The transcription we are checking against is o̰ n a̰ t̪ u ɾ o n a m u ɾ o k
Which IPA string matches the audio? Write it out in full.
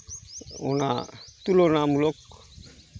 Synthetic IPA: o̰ n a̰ t̪ u l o n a m u l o k